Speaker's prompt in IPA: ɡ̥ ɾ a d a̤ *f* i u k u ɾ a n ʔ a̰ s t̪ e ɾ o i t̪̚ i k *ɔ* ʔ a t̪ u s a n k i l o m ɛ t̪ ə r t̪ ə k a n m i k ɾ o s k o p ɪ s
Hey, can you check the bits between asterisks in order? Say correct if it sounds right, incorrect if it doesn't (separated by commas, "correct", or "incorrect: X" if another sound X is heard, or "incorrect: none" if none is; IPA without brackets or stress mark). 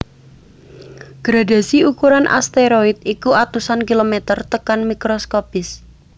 incorrect: s, incorrect: u